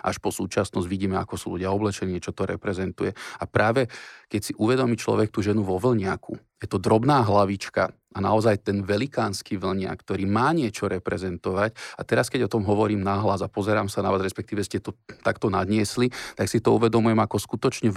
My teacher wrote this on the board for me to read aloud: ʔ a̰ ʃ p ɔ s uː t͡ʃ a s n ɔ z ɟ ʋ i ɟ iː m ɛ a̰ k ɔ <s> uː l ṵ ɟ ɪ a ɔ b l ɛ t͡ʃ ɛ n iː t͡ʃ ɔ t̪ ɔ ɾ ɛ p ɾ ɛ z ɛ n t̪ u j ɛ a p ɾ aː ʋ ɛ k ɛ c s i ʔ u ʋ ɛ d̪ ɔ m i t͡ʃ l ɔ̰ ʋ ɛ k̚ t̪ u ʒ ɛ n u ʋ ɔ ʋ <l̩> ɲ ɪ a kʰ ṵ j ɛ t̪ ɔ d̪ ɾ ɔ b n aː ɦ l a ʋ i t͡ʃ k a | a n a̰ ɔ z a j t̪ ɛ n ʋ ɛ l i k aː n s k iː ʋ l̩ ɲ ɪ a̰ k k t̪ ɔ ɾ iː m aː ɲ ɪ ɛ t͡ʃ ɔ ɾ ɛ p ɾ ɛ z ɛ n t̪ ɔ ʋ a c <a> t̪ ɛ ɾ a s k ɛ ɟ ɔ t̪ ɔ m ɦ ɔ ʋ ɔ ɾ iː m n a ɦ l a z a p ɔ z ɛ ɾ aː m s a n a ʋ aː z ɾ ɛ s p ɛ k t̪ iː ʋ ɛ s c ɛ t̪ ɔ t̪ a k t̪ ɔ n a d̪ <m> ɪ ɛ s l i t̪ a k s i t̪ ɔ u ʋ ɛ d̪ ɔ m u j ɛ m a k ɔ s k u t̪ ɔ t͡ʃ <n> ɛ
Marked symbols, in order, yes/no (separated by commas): yes, yes, yes, no, no